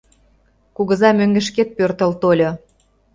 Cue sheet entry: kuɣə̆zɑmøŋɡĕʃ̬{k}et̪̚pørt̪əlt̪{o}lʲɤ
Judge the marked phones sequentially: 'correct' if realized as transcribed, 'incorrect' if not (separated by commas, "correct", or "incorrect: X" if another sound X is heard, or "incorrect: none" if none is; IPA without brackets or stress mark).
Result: correct, correct